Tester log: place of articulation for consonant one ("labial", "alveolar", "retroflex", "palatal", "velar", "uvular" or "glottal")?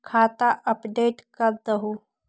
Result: velar